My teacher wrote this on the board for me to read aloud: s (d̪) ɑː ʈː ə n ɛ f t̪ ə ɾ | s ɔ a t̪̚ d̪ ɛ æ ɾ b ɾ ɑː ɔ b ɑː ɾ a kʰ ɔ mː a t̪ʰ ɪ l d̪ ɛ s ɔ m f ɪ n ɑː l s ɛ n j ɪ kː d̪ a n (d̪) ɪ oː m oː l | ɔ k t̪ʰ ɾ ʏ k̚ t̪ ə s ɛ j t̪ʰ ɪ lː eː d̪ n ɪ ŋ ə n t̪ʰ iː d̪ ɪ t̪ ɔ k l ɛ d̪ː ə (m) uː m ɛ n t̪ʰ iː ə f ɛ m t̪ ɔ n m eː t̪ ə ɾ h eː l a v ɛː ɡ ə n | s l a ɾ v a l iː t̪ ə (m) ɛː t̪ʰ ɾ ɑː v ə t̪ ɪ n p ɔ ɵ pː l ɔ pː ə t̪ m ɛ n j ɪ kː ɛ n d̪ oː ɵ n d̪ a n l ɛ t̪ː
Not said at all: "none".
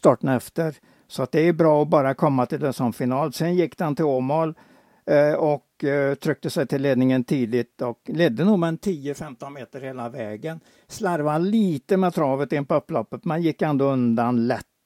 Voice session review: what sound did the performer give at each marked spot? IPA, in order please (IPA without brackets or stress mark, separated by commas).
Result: t̪, t̪, n, m